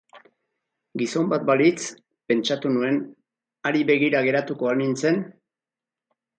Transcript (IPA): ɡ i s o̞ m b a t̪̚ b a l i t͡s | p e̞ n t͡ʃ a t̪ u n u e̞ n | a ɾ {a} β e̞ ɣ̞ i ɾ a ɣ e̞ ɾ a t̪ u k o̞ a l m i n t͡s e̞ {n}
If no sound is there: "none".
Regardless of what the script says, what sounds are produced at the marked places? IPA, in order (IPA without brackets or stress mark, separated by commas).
i, n